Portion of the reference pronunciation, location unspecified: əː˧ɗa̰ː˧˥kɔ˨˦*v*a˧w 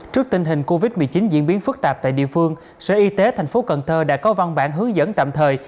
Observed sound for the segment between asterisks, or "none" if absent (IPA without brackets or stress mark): v